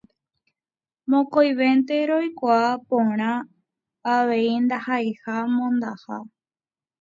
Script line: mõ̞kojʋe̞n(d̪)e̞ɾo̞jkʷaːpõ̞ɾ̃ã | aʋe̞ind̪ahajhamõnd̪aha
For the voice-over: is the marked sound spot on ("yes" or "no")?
no